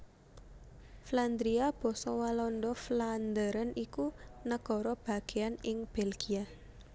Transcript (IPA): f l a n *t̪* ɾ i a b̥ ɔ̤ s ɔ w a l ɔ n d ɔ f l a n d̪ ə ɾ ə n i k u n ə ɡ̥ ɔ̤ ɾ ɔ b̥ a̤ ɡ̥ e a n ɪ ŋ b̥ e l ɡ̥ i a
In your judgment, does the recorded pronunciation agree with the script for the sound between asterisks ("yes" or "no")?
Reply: no